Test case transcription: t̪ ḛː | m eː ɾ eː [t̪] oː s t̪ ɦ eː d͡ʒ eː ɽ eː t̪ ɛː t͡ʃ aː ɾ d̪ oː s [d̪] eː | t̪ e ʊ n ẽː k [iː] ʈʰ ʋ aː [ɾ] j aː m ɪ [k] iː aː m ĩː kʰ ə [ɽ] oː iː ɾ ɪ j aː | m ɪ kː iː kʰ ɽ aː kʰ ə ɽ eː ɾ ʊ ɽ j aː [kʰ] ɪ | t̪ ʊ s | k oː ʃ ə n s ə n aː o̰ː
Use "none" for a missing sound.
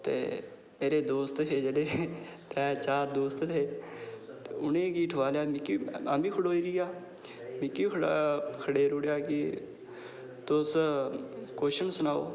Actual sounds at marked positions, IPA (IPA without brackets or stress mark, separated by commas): d̪, t̪, iː, l, k, ɽ, k